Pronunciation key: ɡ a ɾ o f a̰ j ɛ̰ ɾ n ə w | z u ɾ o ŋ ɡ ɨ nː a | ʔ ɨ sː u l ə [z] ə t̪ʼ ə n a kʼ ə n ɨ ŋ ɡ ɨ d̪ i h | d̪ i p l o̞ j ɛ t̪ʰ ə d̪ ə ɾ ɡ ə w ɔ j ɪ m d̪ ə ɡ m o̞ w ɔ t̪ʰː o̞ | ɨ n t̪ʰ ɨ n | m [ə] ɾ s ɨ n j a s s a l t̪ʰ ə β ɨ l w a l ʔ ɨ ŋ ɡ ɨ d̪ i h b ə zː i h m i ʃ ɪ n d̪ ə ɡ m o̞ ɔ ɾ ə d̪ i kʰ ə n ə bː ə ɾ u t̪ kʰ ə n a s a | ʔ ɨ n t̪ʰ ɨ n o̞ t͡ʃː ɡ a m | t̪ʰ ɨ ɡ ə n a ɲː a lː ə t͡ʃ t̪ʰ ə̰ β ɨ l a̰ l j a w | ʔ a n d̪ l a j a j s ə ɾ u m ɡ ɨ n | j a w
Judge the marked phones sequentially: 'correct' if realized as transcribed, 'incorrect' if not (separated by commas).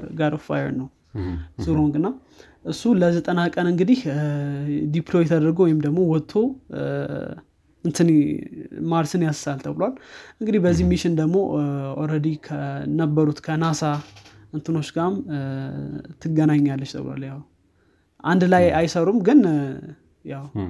correct, incorrect